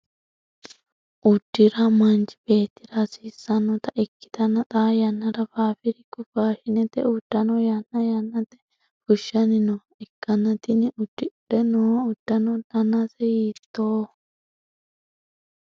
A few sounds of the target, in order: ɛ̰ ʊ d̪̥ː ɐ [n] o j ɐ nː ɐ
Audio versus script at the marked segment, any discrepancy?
no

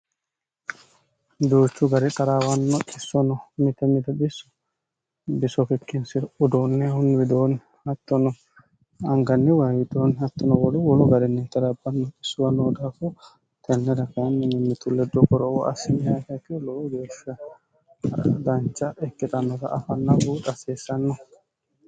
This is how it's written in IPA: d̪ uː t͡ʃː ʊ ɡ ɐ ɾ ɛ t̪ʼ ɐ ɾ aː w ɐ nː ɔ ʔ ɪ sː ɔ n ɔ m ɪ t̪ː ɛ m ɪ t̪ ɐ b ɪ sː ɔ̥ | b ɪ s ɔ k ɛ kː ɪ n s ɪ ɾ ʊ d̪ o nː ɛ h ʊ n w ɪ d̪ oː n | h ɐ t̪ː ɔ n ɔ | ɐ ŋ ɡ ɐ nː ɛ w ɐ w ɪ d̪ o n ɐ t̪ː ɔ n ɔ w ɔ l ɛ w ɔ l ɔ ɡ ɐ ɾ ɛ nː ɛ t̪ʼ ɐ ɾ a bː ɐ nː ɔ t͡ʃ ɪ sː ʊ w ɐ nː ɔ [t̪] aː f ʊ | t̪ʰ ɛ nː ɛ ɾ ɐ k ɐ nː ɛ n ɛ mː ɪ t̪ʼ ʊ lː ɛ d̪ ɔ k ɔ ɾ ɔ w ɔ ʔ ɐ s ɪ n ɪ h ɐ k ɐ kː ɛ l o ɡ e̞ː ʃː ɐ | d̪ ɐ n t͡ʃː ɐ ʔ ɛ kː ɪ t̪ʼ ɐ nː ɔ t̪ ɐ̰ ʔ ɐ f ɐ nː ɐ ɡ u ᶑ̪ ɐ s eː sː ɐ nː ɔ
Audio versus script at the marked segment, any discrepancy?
yes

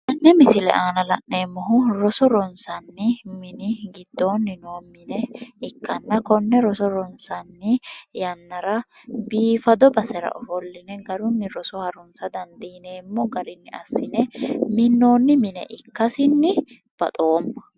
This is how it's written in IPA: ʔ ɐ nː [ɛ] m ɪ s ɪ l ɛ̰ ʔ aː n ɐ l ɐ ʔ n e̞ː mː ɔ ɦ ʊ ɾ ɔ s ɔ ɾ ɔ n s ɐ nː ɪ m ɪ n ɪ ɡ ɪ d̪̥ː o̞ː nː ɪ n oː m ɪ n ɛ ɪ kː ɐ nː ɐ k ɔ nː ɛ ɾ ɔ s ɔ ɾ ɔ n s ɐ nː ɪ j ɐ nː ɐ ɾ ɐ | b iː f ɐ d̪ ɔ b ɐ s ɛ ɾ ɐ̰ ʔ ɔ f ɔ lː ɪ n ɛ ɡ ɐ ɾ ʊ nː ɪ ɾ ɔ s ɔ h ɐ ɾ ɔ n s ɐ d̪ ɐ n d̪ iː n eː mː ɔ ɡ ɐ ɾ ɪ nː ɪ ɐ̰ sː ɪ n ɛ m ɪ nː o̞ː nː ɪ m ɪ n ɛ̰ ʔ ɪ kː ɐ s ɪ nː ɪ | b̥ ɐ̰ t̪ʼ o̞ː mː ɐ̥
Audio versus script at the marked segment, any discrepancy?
no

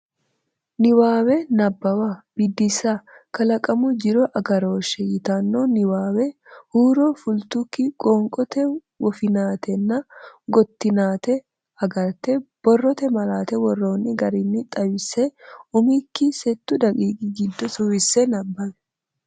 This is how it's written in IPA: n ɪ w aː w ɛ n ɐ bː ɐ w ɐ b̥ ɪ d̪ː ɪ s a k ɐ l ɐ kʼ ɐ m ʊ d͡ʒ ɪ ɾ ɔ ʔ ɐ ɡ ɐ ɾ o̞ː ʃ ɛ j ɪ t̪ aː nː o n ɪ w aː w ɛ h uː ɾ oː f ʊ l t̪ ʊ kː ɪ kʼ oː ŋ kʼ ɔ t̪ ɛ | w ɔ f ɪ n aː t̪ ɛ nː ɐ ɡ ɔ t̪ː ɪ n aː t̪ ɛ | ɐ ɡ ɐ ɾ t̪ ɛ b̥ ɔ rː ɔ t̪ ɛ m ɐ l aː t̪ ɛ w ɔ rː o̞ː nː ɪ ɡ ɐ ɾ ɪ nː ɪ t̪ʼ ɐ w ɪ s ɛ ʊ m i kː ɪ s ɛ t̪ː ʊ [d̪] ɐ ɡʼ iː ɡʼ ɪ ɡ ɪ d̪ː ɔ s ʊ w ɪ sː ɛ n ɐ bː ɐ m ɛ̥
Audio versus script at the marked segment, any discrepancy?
no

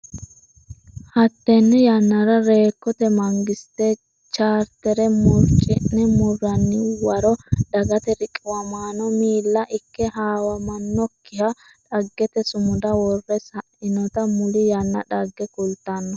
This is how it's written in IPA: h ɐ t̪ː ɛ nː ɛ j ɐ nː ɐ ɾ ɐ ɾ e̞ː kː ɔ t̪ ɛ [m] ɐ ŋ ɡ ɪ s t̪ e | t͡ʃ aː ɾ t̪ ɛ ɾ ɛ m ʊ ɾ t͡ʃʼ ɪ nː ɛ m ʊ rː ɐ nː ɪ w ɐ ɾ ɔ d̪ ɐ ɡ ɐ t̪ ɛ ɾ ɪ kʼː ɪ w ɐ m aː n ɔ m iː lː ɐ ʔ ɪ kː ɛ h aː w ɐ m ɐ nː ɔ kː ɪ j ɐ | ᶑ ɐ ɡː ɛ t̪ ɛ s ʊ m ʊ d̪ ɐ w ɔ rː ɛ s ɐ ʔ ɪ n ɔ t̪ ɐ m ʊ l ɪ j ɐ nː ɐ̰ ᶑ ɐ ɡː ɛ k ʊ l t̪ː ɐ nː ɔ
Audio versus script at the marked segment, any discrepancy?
no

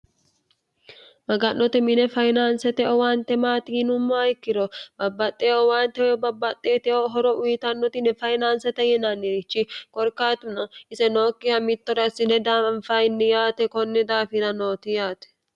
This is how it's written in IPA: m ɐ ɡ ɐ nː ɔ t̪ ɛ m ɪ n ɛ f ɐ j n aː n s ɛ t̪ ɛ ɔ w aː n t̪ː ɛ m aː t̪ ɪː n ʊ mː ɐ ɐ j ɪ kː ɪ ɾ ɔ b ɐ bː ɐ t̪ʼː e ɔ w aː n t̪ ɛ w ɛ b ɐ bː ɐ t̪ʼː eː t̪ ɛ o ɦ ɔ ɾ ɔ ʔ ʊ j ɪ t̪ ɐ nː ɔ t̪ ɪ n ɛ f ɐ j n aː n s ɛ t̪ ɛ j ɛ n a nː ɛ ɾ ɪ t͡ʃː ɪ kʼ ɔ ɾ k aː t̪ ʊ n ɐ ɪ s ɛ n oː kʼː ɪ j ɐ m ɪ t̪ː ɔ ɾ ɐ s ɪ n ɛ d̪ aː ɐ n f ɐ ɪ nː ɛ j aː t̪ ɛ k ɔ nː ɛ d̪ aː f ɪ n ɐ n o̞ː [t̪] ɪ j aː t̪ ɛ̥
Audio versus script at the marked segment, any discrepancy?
no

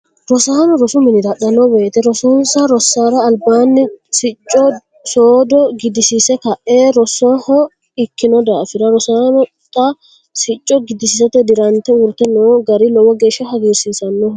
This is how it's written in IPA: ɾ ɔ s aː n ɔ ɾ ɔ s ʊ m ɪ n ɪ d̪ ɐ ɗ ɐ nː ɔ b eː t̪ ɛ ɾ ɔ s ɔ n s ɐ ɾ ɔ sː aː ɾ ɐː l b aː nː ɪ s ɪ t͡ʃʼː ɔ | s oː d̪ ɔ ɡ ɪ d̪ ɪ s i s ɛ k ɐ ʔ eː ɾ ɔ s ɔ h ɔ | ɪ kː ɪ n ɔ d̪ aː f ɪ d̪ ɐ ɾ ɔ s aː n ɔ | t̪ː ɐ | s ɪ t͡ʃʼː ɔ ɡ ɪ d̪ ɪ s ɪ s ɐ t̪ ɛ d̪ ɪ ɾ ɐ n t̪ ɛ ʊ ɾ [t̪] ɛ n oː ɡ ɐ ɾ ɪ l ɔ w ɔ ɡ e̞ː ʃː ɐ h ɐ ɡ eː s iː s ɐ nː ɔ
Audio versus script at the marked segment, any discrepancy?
no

